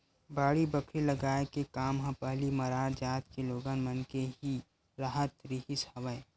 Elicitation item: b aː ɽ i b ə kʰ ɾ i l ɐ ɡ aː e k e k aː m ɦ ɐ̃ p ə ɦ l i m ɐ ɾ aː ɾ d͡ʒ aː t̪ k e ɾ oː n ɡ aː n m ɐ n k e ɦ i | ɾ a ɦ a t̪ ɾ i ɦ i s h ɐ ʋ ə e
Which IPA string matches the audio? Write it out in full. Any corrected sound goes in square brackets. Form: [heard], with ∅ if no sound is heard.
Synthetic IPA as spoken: b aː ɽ i b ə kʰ ɾ i l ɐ ɡ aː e k e k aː m ɦ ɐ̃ p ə ɦ l i m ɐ ɾ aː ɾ d͡ʒ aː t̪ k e [l] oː [∅] ɡ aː n m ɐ n k e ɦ i | ɾ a ɦ [ə] t̪ ɾ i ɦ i s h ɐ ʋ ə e

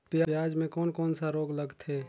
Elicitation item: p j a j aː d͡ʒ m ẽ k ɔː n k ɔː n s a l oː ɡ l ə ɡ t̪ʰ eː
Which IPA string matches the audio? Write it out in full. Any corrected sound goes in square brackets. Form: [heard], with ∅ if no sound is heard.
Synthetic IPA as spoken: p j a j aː d͡ʒ m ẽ k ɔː n k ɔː n s a [ɾ] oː ɡ l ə ɡ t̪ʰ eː

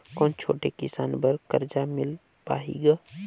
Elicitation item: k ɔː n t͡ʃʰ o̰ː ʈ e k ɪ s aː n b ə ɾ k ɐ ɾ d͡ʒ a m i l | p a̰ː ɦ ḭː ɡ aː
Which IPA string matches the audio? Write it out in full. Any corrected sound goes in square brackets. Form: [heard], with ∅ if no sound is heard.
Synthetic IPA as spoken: k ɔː n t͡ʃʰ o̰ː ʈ e k ɪ s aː n b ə ɾ k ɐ ɾ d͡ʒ a m [ɪ] l | p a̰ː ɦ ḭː ɡ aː

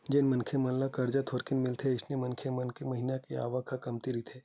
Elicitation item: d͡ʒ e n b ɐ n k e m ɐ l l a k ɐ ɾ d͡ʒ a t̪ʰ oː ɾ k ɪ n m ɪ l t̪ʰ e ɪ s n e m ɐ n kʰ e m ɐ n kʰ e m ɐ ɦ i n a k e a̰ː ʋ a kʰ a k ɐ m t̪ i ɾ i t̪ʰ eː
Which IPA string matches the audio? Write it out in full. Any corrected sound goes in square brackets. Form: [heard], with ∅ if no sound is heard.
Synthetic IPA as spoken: d͡ʒ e n [m] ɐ n [kʰ] e m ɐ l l a k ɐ ɾ d͡ʒ a t̪ʰ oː ɾ k ɪ n m ɪ l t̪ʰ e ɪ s n e m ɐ n kʰ e m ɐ n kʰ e m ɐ ɦ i n a k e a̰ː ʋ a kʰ a k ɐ m t̪ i ɾ i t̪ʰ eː

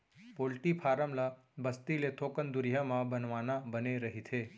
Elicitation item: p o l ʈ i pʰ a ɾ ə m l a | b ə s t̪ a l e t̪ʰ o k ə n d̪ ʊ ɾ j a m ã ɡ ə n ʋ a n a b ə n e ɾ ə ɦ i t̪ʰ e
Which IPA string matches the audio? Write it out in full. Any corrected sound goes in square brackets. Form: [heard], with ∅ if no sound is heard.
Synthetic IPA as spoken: p o l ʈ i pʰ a ɾ ə m l a | b ə s t̪ [i] l e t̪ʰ o k ə n d̪ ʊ ɾ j a m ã [b] ə n ʋ a n a b ə n e ɾ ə ɦ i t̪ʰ e

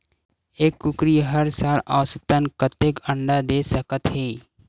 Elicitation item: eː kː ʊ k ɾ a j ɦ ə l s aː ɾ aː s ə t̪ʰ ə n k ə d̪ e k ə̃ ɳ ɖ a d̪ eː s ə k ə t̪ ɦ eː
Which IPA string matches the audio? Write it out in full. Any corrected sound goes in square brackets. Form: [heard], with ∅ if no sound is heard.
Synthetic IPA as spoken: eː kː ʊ k ɾ [i] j ɦ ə [ɾ] s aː [l] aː s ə [t̪] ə n k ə [t̪] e k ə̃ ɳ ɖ a d̪ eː s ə k ə t̪ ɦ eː

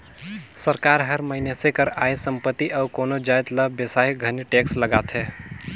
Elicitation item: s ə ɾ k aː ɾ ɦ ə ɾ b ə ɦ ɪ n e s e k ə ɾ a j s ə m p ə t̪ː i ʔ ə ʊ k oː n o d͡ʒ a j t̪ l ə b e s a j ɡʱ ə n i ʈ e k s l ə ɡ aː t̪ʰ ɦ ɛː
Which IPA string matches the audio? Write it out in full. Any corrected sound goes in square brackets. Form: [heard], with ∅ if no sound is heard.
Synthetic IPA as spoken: s ə ɾ k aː ɾ ɦ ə ɾ [m] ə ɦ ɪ n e s e k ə ɾ a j s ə m p ə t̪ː i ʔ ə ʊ k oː n o d͡ʒ a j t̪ l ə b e s a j ɡʱ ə n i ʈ e k s l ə ɡ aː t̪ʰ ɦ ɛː

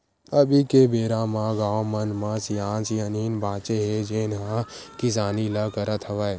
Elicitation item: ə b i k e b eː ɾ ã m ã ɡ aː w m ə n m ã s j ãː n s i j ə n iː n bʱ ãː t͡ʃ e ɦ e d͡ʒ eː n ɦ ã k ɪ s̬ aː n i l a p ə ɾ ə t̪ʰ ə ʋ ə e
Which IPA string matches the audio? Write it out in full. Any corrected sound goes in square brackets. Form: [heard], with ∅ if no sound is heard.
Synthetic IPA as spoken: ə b i k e b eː ɾ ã m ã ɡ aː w m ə n m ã s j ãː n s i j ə n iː n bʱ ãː t͡ʃ e ɦ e d͡ʒ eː n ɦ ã k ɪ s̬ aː n i l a [k] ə ɾ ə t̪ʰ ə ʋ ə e

